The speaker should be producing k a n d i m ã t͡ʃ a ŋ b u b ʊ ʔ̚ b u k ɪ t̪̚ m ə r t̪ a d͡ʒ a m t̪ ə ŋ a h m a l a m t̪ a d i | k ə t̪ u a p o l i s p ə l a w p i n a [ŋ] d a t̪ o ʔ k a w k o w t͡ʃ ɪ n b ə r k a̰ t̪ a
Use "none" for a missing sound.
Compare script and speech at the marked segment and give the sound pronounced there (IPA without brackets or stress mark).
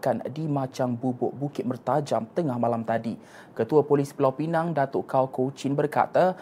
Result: ŋ